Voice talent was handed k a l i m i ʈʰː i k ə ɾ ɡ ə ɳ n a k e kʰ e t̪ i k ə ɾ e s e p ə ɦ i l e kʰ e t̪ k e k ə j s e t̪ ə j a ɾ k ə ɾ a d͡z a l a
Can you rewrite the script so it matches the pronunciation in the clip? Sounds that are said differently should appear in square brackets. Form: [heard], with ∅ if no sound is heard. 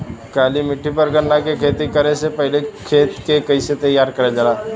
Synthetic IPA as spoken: k a l i m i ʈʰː i [p] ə ɾ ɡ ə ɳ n a k e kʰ e t̪ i k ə ɾ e s e p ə ɦ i l e kʰ e t̪ k e k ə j s e t̪ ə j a ɾ k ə ɾ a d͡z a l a